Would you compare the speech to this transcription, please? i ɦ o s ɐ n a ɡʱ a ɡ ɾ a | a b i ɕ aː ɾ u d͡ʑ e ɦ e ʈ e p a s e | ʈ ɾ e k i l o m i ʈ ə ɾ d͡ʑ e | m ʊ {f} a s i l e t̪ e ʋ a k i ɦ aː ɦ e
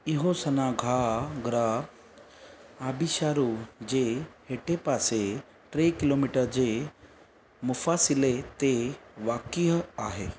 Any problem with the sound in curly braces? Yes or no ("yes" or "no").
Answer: no